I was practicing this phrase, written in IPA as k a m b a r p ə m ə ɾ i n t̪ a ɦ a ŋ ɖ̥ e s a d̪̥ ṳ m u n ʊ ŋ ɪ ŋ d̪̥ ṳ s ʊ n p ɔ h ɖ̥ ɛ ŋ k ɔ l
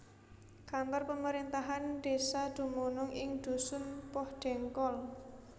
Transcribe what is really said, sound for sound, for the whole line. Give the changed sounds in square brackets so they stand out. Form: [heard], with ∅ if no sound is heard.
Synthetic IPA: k a m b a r p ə m ə ɾ i n t̪ a ɦ a [n] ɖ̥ e s a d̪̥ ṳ m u n ʊ ŋ ɪ ŋ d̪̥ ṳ s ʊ n p ɔ h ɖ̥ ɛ ŋ k ɔ l

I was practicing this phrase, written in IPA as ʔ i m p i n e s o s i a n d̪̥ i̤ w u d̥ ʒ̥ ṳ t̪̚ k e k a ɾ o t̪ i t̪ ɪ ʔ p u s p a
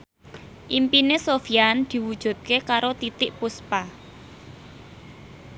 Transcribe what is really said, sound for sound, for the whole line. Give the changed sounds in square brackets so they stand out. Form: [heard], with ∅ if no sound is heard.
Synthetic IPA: ʔ i m p i n e s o [f] i a n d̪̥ i̤ w u d̥ ʒ̥ ṳ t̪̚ k e k a ɾ o t̪ i t̪ ɪ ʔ p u s p a

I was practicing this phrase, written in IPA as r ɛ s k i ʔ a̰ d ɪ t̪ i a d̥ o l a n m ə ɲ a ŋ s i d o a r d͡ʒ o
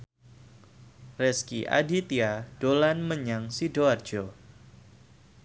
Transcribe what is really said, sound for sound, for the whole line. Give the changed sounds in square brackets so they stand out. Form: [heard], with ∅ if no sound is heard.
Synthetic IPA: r ɛ s k i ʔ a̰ d [i] t̪ i a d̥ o l a n m ə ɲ a ŋ s i d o a r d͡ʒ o

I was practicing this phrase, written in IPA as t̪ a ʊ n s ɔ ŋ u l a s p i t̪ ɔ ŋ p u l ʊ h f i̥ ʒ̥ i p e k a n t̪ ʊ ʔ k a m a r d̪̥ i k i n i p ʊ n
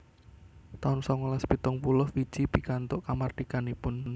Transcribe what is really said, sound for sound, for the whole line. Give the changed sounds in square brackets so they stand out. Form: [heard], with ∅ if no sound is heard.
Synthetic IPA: t̪ a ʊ n s ɔ ŋ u l a s p i t̪ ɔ ŋ p u l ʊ h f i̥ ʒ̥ i p [i] k a n t̪ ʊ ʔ k a m a r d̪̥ i k [a] n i p ʊ n

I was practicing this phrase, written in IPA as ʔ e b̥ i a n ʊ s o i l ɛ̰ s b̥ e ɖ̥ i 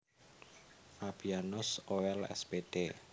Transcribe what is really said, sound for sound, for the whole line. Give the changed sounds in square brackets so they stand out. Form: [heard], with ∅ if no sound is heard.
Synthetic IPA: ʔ [a] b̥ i a n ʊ s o [ɛ] l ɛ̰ s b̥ e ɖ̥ [e]

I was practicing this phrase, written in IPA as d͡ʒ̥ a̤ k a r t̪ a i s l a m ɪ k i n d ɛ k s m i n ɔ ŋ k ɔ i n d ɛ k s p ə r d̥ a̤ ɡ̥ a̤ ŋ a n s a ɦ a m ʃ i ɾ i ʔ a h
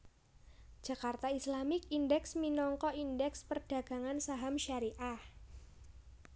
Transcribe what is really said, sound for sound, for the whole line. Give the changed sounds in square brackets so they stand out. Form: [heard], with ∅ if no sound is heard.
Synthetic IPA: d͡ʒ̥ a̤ k a r t̪ a i s l a m ɪ k i n d ɛ k s m i n ɔ ŋ k ɔ i n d ɛ k s p ə r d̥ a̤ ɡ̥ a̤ ŋ a n s a ɦ a m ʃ [a] ɾ i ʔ a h

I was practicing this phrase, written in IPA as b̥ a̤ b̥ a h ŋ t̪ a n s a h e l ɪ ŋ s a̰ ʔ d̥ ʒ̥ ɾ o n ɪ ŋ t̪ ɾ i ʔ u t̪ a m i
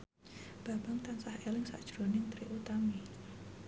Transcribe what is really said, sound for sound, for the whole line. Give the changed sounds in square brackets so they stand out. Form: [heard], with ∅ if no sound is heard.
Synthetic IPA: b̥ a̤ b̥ a [∅] ŋ t̪ a n s a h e l ɪ ŋ s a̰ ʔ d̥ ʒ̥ ɾ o n ɪ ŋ t̪ ɾ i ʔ u t̪ a m i

